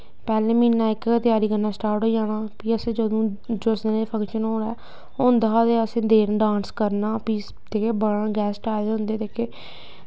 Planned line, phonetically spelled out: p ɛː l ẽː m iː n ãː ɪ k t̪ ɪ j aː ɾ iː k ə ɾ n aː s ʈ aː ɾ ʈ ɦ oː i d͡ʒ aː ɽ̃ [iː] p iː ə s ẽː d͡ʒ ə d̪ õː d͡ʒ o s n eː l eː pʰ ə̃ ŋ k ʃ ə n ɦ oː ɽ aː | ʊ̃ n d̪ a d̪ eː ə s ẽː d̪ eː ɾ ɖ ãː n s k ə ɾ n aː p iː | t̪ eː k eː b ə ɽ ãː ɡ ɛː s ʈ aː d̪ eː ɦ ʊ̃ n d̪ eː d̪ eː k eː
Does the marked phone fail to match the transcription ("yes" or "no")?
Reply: yes